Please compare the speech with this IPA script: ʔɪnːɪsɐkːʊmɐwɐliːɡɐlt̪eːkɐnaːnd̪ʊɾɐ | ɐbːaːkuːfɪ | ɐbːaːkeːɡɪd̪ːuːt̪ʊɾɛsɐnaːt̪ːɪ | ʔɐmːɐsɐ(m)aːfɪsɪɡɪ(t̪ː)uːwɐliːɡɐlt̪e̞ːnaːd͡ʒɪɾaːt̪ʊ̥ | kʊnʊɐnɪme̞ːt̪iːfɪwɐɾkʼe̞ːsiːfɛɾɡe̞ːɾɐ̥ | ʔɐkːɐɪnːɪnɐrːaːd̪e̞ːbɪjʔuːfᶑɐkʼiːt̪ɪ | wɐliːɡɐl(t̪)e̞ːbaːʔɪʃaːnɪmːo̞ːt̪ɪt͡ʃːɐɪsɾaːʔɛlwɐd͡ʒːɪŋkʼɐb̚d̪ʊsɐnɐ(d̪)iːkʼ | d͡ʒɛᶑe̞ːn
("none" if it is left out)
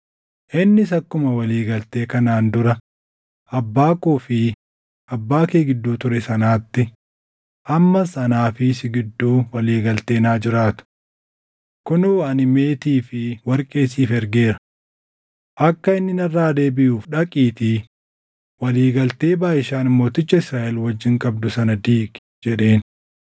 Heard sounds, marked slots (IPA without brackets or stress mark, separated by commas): n, d̪ː, t̪, d̪